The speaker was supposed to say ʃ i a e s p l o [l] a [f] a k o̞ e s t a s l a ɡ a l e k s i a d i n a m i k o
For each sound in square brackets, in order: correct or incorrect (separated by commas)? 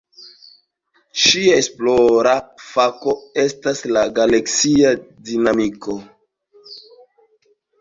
incorrect, correct